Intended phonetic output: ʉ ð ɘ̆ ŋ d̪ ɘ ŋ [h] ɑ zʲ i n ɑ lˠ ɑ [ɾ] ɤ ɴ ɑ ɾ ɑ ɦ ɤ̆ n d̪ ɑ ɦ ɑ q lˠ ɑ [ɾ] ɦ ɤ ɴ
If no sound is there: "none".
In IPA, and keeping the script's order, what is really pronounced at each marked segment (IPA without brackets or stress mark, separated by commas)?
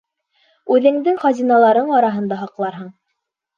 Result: χ, ɾ, ɾ